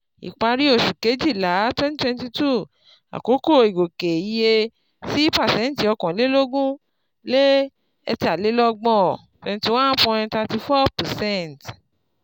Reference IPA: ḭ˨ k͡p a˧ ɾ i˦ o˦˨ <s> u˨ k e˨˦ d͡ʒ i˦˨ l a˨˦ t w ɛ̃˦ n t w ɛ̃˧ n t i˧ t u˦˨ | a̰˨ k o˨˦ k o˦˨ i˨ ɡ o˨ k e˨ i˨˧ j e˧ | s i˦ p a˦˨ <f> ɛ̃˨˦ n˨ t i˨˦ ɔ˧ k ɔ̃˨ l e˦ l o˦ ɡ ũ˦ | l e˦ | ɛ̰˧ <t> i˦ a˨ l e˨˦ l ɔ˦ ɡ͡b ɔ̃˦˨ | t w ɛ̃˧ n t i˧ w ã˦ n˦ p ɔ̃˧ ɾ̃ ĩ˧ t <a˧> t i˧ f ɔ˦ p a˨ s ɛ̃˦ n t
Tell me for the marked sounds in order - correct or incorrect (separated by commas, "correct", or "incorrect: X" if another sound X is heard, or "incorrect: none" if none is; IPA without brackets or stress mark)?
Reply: incorrect: ʃ, incorrect: s, correct, correct